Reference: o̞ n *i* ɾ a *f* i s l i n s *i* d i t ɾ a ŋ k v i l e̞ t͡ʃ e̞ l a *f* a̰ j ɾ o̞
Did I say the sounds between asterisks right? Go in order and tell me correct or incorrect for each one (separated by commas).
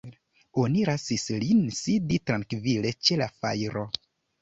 correct, incorrect, correct, correct